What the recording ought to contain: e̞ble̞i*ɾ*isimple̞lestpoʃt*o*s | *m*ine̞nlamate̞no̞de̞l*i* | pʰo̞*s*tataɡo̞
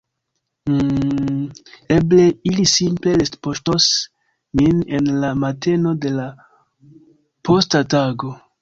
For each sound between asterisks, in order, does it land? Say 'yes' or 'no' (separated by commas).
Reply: no, yes, yes, no, yes